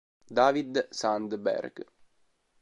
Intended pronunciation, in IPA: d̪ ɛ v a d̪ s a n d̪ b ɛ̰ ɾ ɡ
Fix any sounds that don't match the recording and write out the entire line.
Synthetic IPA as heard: d̪ a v i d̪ s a n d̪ b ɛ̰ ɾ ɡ